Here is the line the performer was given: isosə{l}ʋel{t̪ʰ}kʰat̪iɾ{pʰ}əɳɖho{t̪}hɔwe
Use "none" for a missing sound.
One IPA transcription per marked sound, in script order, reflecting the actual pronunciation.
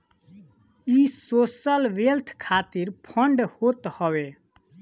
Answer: l, t̪ʰ, pʰ, t̪

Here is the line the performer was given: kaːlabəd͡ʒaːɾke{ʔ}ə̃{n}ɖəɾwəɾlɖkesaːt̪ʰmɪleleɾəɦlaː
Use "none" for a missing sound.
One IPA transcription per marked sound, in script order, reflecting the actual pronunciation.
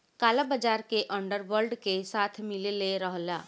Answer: ʔ, ɳ

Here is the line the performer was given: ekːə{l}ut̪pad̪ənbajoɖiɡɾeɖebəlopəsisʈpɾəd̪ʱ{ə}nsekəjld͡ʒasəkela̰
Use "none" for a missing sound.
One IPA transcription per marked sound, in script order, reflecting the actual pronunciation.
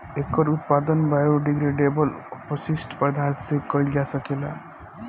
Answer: ɾ, a

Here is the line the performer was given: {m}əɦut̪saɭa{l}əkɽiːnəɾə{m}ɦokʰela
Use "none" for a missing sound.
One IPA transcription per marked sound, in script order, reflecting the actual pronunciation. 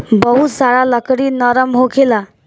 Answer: b, l, m

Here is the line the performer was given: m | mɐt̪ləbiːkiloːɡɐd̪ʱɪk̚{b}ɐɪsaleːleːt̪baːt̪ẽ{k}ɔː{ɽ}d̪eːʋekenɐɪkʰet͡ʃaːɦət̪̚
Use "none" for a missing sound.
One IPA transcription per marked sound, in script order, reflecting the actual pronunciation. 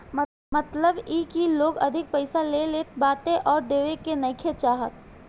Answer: p, ʔ, ɾ

